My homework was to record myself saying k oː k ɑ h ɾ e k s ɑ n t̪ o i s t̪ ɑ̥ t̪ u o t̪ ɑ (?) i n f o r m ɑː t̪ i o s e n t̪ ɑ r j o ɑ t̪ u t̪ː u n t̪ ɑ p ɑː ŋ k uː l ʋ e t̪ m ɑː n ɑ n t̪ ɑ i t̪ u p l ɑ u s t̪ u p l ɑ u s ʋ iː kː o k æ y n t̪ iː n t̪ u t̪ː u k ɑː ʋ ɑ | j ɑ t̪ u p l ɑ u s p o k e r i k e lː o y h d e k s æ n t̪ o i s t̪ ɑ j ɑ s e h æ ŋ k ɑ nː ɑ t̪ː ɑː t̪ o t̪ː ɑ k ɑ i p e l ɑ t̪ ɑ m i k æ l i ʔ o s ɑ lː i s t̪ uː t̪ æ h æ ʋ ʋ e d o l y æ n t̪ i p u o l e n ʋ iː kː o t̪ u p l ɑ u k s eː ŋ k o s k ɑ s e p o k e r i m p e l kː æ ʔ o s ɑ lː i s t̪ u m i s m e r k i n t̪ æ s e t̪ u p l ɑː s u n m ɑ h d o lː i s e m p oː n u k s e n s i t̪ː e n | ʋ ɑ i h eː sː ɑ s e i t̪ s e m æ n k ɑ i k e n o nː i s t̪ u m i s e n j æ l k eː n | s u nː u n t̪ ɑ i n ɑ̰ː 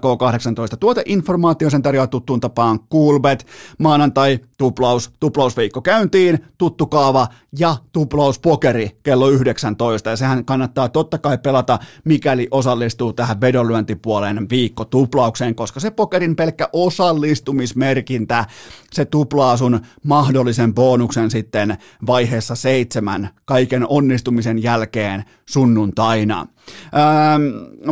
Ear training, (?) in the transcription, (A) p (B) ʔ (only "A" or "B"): B